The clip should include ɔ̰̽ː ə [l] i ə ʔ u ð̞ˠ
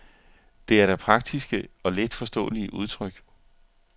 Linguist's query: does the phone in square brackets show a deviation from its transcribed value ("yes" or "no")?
no